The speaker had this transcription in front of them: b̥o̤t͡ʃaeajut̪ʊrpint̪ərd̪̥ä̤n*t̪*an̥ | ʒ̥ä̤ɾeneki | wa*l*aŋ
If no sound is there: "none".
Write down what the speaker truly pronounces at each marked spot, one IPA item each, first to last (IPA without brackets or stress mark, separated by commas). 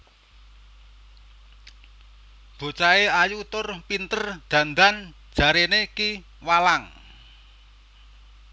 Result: d̪, l